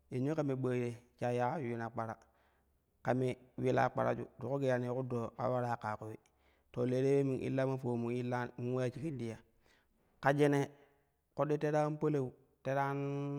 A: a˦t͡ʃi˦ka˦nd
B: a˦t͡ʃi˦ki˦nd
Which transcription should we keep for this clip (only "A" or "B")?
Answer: B